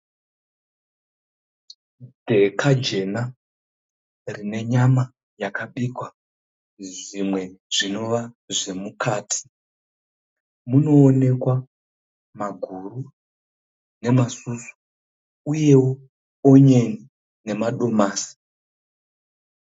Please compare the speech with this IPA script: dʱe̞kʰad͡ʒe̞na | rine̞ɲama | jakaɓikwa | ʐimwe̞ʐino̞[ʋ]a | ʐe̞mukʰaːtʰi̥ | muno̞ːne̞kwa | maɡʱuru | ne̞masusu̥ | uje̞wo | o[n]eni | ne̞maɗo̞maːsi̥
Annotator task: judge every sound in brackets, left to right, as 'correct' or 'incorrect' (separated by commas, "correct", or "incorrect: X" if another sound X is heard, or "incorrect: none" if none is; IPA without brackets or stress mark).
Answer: correct, incorrect: ɲ